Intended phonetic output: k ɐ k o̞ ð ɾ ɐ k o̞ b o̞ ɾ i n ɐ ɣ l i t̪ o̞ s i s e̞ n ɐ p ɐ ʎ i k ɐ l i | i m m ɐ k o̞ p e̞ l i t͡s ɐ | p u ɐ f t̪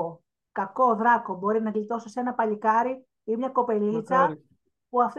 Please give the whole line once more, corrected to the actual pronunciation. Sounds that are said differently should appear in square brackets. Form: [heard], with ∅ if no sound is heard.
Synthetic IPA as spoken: k ɐ k o̞ ð ɾ ɐ k o̞ b o̞ ɾ i n ɐ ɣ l i t̪ o̞ s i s e̞ n ɐ p ɐ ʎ i k ɐ [ɾ] i | i m [ɲ] ɐ k o̞ p e̞ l i t͡s ɐ | p u ɐ f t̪